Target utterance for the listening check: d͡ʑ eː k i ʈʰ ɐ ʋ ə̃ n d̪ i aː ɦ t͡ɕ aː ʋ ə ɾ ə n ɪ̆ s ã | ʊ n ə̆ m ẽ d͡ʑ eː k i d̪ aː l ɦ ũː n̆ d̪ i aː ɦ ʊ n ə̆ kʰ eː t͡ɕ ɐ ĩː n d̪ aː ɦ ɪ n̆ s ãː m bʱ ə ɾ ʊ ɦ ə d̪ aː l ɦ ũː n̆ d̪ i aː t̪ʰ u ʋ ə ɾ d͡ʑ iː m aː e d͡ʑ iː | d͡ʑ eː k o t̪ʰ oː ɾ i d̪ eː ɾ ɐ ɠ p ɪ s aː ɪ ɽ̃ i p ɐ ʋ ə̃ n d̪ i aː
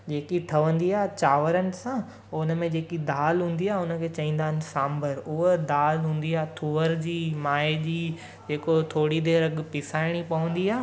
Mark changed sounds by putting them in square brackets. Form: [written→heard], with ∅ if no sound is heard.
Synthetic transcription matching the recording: d͡ʑ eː k i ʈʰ ɐ ʋ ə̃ n d̪ i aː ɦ t͡ɕ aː ʋ ə ɾ ə n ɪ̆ s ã | ʊ n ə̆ m ẽ d͡ʑ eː k i d̪ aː l ɦ ũː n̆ d̪ i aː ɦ ʊ n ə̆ kʰ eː t͡ɕ ɐ ĩː n d̪ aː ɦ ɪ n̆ s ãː m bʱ ə ɾ ʊ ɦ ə d̪ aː l ɦ ũː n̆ d̪ i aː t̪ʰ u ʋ ə ɾ d͡ʑ iː m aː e d͡ʑ iː | d͡ʑ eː k o t̪ʰ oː [ɾ→ɽ] i d̪ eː ɾ ɐ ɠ p ɪ s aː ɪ ɽ̃ i p ɐ ʋ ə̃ n d̪ i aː